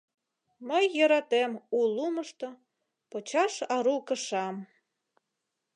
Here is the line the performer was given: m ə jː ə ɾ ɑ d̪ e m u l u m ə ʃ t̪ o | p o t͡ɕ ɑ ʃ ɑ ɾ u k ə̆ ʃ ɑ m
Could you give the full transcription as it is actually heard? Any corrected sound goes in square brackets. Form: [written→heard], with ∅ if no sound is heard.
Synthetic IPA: m ə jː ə ɾ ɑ [d̪→t̪] e m u l u m ə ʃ t̪ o | p o t͡ɕ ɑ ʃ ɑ ɾ u k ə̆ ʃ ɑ m